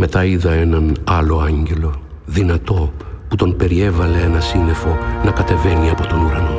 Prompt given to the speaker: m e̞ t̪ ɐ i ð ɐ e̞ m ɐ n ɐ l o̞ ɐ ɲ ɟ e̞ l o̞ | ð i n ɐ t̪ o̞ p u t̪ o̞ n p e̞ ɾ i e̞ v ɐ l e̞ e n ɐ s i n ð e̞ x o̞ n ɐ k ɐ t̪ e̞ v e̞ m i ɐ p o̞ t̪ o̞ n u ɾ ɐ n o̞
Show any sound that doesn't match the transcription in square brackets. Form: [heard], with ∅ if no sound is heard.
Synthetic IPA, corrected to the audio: m e̞ t̪ ɐ i ð ɐ e̞ [n] ɐ n ɐ l o̞ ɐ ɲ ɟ e̞ l o̞ | ð i n ɐ t̪ o̞ p u t̪ o̞ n p e̞ ɾ i e̞ v ɐ l e̞ e n ɐ s i n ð e̞ [f] o̞ n ɐ k ɐ t̪ e̞ v e̞ [n] i ɐ p o̞ t̪ o̞ n u ɾ ɐ n o̞